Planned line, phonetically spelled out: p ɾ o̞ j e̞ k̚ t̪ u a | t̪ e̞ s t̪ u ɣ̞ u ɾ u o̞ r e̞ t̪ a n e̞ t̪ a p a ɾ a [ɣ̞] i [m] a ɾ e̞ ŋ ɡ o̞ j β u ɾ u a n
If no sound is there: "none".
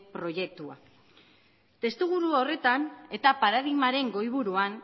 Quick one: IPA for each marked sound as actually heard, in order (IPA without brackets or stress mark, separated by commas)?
ð̞, m